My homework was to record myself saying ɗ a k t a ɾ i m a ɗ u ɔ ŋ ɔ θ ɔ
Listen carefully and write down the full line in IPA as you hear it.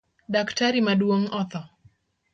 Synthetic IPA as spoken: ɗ a k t a ɾ i m a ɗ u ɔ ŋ ɔ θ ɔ